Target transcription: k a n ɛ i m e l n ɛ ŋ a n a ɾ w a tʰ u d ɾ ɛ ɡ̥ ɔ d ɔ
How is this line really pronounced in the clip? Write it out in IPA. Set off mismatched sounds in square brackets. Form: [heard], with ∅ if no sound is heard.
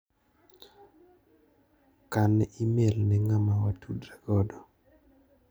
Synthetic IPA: k a n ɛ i m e l n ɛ ŋ a [m] a [∅] w a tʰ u d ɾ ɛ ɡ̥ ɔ d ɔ

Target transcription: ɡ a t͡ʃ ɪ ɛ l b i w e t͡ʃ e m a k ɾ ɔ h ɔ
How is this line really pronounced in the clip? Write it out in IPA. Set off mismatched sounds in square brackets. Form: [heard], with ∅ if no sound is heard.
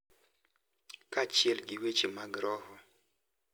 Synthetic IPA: [k] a t͡ʃ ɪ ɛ l [ɡ] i w e t͡ʃ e m a [ɡ] ɾ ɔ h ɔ

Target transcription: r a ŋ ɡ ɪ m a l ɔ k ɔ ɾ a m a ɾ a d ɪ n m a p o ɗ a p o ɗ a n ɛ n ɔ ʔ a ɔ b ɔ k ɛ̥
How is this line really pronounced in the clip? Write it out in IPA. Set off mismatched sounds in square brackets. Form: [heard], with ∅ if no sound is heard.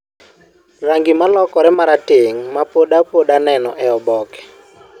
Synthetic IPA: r a ŋ ɡ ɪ m a l ɔ k ɔ ɾ [ɛ] m a ɾ a [t] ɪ [ŋ] m a p o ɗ a p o ɗ a n ɛ n ɔ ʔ [ɛ] ɔ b ɔ k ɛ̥

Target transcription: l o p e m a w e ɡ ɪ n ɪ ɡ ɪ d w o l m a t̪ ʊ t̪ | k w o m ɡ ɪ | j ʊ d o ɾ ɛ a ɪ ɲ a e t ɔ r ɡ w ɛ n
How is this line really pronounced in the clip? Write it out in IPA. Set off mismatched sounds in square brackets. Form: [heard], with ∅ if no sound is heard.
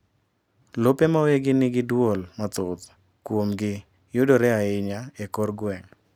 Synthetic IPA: l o p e m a w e ɡ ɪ n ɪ ɡ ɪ d w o l m a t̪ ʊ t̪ | k w o m ɡ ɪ | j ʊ d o ɾ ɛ a ɪ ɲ a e [k] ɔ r ɡ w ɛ [ŋ]

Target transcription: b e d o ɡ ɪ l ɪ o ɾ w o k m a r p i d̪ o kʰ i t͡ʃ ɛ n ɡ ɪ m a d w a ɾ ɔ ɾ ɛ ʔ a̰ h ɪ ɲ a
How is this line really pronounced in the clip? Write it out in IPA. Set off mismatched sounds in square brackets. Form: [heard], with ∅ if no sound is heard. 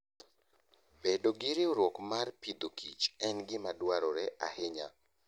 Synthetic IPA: b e d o ɡ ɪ [ɾ] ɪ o ɾ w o k m a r p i d̪ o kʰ i t͡ʃ ɛ n ɡ ɪ m a d w a ɾ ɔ ɾ ɛ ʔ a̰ h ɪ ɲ a

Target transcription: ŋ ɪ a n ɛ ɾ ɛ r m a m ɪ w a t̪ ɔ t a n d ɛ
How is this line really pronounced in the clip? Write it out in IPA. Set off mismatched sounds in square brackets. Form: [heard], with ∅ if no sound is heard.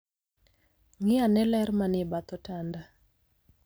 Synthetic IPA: ŋ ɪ a n ɛ [l] ɛ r m a [n] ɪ [b] a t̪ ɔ t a n d [a]

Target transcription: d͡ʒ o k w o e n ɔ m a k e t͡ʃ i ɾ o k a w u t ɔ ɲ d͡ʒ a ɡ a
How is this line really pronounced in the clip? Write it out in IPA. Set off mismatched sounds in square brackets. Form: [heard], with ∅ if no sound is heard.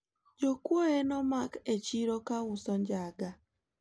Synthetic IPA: d͡ʒ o k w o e n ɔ m a k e t͡ʃ i ɾ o k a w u [s] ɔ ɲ d͡ʒ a ɡ a

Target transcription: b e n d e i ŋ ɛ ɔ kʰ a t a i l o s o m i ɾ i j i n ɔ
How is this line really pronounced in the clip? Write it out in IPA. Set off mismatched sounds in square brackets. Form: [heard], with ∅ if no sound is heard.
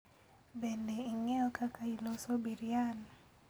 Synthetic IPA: b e n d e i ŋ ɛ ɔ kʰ a [k] a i l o s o [b] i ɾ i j [a] n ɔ

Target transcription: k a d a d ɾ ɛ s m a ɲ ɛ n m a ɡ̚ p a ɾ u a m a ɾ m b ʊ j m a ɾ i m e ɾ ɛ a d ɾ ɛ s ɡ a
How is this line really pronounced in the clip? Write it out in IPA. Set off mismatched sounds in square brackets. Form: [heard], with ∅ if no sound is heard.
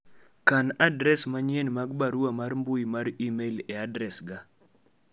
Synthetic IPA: k a [n] a d ɾ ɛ s m a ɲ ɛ n m a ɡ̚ [b] a ɾ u a m a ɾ m b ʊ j m a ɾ i m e [l] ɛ a d ɾ ɛ s ɡ a

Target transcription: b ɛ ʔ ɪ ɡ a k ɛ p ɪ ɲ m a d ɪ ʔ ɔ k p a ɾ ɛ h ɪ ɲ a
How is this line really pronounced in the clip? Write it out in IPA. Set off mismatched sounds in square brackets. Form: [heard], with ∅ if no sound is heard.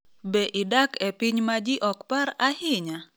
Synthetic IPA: b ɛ ʔ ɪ [d] a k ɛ p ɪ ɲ m a [d͡ʒ] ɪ ʔ ɔ k p a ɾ [a] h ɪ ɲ a

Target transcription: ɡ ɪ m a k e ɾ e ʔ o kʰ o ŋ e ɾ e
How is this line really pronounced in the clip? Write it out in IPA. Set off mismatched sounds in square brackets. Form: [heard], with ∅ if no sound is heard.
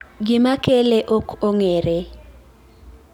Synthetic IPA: ɡ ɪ m a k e [l] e ʔ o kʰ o ŋ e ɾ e

